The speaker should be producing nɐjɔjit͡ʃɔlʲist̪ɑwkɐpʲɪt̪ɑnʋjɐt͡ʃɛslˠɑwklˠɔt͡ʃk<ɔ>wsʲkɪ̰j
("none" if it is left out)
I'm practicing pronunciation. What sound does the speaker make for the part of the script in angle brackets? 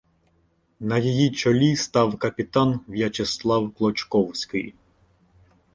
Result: ɔ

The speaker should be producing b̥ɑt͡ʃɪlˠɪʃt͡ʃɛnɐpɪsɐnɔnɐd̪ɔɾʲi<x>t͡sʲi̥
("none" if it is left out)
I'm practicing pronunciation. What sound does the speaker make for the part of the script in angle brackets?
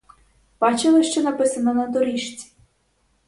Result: ʃ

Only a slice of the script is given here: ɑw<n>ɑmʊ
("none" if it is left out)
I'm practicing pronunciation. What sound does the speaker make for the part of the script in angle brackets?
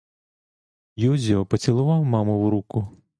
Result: m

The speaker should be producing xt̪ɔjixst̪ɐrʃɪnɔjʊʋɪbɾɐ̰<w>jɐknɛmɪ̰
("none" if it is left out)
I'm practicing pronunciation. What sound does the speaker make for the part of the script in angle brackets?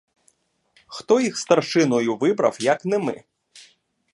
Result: w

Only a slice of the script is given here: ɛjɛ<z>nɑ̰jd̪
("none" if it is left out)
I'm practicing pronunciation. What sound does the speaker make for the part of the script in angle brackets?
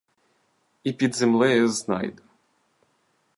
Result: z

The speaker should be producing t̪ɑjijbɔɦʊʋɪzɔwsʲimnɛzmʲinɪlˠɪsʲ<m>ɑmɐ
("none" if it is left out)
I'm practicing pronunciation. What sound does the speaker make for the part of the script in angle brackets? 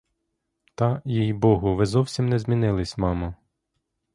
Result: m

